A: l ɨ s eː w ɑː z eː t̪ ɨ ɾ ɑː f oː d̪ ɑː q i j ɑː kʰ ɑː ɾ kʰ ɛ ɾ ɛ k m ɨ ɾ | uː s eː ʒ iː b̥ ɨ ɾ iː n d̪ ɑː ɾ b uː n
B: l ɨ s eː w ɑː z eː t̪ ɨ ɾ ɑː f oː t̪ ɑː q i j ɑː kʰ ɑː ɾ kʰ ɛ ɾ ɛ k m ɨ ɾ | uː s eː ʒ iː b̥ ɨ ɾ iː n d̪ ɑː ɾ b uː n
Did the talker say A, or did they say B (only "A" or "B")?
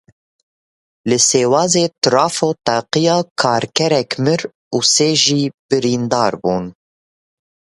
B